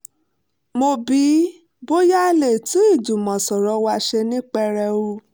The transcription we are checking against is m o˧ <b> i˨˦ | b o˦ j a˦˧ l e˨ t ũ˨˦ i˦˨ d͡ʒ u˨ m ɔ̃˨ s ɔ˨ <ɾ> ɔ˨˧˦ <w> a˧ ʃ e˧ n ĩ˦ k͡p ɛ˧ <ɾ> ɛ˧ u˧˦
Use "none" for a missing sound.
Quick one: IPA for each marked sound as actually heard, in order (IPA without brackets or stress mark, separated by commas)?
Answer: b, ɾ, w, ɾ